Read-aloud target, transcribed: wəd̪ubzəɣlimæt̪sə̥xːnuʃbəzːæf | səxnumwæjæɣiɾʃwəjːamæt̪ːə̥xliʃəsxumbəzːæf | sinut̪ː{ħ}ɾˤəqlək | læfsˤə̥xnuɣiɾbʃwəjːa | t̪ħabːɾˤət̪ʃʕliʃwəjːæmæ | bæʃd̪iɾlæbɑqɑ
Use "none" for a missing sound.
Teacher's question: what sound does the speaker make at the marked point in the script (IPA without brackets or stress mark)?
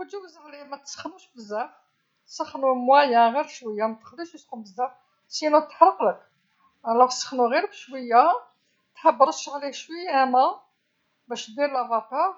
ħ